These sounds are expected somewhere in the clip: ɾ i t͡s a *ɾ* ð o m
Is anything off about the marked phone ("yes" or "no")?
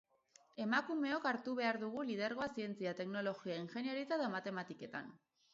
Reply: yes